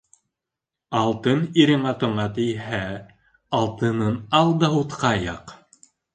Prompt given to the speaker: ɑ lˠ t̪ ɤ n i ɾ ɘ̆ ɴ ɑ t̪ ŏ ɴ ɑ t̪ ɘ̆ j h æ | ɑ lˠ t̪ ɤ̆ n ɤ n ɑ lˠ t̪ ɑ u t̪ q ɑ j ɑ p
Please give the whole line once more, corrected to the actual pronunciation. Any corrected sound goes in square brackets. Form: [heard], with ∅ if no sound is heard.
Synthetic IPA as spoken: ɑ lˠ t̪ ɤ n i ɾ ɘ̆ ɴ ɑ t̪ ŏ ɴ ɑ t̪ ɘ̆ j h æ | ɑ lˠ t̪ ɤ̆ n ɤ n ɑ lˠ [d̪] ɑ u t̪ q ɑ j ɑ [q]